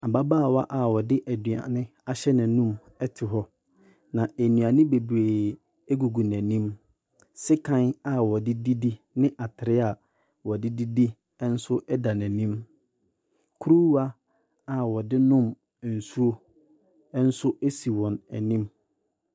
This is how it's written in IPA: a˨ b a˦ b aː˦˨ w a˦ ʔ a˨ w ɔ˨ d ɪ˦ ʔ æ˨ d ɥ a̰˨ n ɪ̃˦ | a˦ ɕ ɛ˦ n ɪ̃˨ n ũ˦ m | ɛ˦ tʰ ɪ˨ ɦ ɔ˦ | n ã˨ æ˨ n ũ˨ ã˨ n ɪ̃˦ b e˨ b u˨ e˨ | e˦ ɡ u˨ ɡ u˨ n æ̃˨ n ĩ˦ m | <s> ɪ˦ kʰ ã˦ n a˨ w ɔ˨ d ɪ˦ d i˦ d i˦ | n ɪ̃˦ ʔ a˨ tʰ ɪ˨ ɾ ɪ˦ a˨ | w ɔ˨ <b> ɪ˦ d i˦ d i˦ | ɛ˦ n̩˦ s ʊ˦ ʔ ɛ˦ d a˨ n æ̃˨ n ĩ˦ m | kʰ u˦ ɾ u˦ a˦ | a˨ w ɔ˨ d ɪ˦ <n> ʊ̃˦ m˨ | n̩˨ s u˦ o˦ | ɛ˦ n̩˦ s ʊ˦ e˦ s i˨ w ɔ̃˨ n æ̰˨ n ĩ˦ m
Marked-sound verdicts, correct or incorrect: correct, incorrect: d, correct

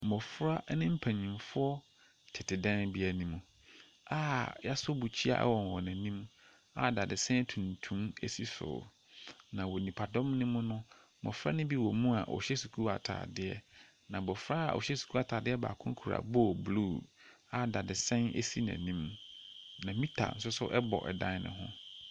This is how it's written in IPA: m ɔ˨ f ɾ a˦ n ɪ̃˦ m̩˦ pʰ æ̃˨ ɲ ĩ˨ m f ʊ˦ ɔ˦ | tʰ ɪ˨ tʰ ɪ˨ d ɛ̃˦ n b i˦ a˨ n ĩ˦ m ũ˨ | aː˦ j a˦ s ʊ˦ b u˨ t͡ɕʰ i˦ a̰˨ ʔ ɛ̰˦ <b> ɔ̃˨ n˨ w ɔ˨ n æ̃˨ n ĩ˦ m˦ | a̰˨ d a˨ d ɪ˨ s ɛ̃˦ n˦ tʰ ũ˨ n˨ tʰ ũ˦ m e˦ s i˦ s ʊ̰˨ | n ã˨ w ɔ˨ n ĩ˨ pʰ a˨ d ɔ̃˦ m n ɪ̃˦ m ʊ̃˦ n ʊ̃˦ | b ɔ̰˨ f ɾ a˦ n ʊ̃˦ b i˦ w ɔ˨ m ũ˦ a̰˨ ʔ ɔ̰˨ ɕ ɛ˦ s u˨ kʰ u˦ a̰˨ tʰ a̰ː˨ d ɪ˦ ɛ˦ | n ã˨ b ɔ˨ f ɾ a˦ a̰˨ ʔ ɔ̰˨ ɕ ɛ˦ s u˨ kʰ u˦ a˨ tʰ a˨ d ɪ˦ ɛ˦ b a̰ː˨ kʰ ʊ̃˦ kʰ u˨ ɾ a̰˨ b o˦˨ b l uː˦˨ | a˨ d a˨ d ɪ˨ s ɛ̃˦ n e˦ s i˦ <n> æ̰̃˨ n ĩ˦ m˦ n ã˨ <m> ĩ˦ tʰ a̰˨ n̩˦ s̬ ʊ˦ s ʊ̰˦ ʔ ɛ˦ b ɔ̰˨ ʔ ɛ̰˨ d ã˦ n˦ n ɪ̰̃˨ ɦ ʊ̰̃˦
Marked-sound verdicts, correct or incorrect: incorrect: w, correct, correct

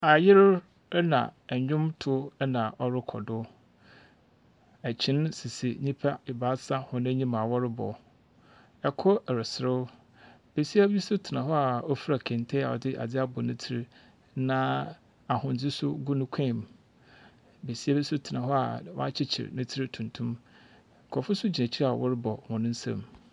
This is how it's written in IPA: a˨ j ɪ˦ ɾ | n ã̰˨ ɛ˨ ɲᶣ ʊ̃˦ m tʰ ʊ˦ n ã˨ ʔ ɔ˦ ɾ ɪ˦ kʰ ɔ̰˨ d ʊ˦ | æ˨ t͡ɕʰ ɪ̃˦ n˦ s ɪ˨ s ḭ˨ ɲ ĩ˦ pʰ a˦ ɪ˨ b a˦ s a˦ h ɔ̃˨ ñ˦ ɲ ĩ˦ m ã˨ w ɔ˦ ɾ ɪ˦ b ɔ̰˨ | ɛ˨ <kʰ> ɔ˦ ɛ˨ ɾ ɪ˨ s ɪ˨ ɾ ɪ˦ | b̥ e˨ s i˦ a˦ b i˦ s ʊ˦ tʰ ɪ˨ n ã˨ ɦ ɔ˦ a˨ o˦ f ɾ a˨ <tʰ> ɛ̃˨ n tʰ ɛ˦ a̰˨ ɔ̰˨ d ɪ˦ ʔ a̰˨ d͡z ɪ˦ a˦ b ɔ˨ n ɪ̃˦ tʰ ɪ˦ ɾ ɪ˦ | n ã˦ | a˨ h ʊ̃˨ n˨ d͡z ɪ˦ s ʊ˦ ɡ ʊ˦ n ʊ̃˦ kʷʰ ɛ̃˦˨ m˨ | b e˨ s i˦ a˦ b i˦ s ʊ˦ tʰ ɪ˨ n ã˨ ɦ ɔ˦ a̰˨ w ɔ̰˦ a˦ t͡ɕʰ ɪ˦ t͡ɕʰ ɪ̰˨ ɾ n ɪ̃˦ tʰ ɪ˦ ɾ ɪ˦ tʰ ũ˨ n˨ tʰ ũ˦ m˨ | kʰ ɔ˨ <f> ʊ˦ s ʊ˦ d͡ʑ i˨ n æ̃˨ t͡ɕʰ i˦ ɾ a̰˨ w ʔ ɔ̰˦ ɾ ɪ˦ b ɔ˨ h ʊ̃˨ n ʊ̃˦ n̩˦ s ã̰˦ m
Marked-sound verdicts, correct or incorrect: correct, incorrect: kʰ, correct

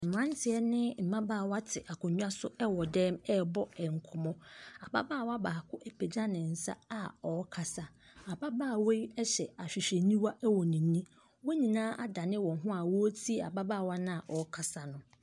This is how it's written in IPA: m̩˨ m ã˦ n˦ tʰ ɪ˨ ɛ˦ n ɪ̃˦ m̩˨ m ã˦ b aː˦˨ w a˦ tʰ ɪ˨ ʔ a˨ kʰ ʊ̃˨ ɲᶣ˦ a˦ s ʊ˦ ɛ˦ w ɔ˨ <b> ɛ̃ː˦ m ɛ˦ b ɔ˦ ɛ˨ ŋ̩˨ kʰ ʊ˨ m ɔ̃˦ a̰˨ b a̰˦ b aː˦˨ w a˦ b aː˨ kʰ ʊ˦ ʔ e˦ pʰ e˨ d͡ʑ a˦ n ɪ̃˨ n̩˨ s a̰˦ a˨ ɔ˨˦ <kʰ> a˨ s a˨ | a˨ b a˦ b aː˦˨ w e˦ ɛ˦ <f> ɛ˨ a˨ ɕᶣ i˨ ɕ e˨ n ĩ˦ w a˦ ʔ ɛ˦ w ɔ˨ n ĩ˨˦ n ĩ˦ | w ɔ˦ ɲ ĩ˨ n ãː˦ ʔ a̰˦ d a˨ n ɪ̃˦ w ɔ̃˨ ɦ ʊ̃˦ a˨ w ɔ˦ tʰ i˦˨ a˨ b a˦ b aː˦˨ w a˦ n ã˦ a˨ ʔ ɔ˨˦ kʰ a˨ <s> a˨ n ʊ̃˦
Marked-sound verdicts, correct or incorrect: incorrect: d, correct, incorrect: ɕ, correct

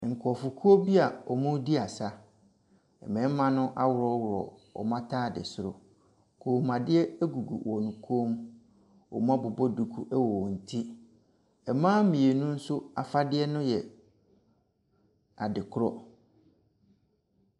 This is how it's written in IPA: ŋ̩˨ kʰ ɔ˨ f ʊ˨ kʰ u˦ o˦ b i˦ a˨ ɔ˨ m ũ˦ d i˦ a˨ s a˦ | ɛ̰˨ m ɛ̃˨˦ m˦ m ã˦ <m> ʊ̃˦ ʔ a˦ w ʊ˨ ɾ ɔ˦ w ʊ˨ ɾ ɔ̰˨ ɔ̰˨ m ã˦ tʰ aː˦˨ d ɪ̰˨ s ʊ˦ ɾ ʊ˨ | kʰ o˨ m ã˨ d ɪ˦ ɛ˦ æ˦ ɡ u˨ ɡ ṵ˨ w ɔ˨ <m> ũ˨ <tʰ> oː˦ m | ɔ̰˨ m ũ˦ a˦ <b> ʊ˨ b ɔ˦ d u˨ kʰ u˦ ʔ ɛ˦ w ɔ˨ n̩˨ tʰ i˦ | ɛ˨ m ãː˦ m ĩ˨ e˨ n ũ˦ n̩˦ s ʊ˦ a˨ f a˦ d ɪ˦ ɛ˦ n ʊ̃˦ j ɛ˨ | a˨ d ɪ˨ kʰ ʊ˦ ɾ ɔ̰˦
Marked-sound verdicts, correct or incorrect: incorrect: n, incorrect: n, incorrect: kʰ, correct

